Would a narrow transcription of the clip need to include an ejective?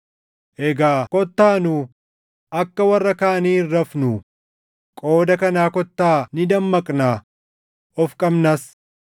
yes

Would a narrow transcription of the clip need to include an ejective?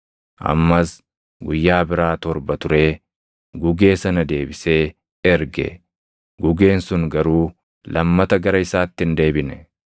no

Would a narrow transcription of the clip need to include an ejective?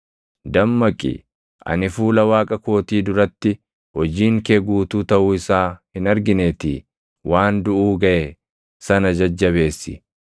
yes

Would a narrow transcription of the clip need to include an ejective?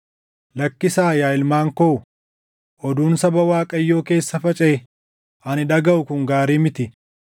yes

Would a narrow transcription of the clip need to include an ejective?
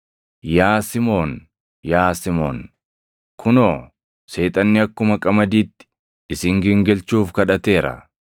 yes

